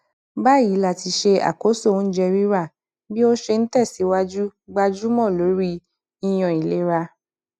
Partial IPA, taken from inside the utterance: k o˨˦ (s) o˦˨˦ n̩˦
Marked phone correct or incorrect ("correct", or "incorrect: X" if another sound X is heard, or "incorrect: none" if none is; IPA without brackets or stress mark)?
correct